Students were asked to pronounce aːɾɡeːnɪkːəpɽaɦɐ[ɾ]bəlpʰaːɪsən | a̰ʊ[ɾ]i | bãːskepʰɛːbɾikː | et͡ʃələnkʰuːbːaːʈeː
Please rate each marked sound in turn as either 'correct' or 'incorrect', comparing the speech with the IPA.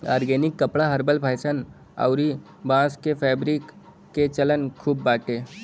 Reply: correct, correct

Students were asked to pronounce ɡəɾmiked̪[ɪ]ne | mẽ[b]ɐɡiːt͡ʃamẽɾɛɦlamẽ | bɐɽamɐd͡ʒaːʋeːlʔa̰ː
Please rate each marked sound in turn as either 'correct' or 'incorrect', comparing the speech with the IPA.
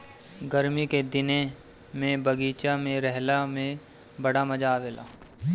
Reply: correct, correct

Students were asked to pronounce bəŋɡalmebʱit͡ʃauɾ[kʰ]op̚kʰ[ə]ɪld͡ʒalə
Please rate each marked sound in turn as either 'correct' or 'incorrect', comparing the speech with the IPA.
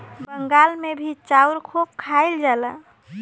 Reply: correct, incorrect: a

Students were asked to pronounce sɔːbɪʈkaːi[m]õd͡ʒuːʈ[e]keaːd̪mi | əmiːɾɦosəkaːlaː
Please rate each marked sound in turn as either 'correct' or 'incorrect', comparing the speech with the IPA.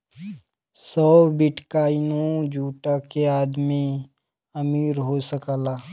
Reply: incorrect: n, incorrect: a

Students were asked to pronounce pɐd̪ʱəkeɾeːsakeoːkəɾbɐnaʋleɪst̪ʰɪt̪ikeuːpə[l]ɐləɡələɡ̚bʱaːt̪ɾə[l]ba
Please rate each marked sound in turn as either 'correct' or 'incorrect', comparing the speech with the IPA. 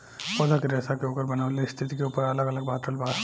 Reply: incorrect: ɾ, correct

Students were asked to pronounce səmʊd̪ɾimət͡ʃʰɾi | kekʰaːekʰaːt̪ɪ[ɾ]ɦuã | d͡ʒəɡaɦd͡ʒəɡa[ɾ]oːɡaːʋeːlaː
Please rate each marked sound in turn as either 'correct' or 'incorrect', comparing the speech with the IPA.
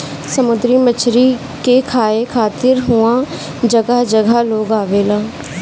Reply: correct, incorrect: l

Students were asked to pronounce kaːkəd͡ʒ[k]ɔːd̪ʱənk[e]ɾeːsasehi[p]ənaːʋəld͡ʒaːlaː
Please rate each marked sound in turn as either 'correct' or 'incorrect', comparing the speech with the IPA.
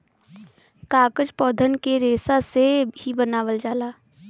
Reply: incorrect: p, correct, incorrect: b

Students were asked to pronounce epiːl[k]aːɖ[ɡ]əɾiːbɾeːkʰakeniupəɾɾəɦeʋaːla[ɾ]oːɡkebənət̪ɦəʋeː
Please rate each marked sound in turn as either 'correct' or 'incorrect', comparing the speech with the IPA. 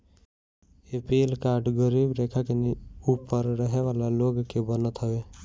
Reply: correct, correct, incorrect: l

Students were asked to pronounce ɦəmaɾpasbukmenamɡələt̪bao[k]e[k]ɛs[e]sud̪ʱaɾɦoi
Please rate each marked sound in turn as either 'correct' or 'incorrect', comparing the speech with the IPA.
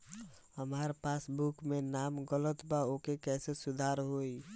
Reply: correct, correct, correct

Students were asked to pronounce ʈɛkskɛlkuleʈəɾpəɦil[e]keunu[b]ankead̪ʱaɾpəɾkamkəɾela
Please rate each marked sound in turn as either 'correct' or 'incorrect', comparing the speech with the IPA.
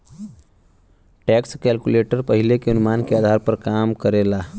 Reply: correct, incorrect: m

